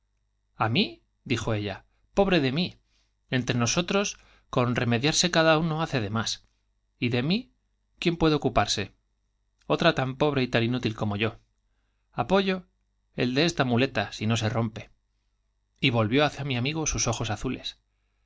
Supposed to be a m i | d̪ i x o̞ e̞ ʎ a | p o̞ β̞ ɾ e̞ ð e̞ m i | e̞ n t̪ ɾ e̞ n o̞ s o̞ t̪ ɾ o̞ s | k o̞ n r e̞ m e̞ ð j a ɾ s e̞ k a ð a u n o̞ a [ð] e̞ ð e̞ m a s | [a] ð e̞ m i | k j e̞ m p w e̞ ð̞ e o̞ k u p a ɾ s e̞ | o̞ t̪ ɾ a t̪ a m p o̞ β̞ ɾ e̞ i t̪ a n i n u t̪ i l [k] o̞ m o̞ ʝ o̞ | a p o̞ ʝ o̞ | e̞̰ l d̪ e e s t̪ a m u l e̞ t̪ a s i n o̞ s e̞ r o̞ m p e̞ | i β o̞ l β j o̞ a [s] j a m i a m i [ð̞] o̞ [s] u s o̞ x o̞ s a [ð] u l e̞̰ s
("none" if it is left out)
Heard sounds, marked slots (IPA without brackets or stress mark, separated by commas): θ, i, k, θ, ɣ̞, s, θ